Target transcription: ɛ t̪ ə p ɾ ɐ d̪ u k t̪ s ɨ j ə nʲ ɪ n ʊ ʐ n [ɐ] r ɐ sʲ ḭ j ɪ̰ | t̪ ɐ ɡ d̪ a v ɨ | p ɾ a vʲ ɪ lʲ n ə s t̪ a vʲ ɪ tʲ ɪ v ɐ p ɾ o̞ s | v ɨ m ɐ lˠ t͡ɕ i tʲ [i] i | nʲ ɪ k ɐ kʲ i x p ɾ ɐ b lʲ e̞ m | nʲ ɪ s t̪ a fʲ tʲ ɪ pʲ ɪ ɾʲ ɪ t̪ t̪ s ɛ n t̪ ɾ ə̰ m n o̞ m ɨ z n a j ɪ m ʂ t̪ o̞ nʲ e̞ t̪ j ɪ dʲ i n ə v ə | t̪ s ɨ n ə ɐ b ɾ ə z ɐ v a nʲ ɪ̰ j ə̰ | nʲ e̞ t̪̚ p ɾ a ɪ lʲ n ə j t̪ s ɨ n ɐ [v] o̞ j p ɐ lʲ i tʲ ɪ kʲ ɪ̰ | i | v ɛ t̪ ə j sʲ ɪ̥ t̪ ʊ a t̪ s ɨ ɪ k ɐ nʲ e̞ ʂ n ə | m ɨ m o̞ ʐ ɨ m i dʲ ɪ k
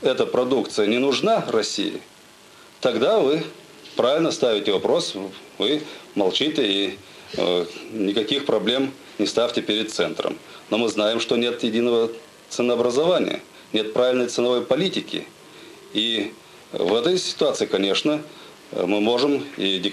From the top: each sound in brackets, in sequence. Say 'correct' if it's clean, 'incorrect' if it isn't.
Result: incorrect: a, incorrect: ɪ, correct

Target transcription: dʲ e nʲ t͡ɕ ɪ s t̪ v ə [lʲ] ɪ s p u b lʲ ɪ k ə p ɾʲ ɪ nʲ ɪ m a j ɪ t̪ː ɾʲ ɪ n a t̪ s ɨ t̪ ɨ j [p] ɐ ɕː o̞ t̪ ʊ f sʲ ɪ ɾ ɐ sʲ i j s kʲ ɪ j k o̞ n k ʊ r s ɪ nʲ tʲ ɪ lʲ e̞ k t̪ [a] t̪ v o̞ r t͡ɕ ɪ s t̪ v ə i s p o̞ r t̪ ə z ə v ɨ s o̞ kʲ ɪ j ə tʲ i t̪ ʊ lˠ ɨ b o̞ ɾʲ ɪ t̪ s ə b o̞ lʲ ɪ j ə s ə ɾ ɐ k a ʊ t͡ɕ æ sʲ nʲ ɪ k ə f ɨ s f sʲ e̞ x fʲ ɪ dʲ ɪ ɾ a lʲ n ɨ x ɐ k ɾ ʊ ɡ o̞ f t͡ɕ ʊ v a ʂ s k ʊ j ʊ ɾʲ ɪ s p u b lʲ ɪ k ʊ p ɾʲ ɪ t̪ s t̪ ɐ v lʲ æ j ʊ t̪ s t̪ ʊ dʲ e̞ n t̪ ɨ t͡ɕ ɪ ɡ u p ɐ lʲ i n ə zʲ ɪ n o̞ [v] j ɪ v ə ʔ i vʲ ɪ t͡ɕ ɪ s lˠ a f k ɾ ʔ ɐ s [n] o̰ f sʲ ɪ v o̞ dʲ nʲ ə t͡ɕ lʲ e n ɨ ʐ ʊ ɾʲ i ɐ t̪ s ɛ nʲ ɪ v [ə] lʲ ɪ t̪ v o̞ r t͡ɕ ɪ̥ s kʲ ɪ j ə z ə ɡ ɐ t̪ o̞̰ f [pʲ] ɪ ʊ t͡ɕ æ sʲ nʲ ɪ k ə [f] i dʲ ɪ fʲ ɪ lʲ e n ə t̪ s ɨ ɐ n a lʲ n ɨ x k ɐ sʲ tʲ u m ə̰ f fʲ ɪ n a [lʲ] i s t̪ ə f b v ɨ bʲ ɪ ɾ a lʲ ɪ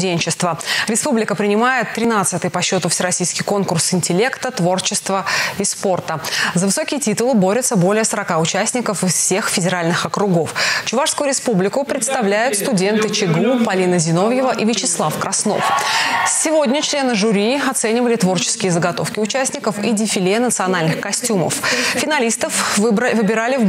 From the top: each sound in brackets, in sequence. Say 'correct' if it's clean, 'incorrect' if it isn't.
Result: incorrect: ɾʲ, correct, incorrect: ə, correct, correct, correct, incorrect: kʲ, correct, correct

